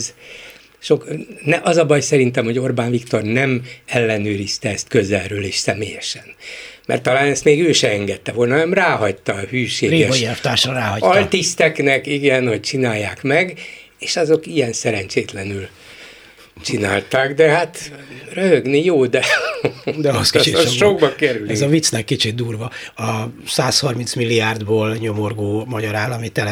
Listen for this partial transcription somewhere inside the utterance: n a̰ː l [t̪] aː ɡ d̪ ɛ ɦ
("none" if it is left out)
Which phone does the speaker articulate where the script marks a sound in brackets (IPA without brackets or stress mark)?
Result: t̪